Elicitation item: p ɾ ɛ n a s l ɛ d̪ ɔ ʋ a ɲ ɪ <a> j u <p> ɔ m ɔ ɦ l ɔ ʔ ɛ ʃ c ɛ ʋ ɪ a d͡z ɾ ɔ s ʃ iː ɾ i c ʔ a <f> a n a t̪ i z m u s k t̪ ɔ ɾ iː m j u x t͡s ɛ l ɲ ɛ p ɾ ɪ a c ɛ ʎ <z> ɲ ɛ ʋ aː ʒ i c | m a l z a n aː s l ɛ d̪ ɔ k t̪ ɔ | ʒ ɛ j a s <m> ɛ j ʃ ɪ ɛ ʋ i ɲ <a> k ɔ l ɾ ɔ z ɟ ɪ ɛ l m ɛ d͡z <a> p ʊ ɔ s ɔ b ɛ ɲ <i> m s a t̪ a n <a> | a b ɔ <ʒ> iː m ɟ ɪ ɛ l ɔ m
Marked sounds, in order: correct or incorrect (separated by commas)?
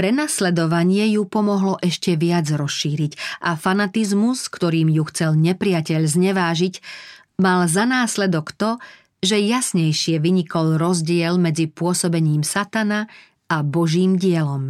incorrect, correct, correct, correct, incorrect, incorrect, incorrect, incorrect, correct, correct